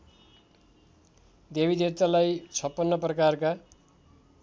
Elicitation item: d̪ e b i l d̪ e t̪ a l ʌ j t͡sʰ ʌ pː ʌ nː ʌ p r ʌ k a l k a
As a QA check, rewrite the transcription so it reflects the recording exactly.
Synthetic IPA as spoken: d̪ e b i d̪ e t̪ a l a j t͡sʰ ʌ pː ʌ nː ʌ p r ʌ k a r k a